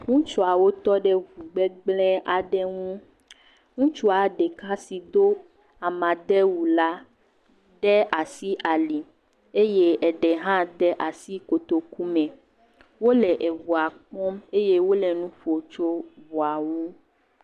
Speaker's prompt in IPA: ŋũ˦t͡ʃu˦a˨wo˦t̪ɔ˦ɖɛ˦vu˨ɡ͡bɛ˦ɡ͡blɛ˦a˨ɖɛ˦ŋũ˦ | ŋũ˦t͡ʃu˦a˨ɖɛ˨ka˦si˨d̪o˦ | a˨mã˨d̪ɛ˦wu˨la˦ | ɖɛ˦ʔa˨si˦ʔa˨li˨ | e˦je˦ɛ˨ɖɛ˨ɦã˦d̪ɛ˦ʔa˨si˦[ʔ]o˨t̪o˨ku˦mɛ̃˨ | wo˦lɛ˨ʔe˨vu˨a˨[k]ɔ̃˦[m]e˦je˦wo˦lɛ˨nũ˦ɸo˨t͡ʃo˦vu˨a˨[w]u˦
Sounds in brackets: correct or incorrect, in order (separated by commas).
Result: incorrect, incorrect, correct, correct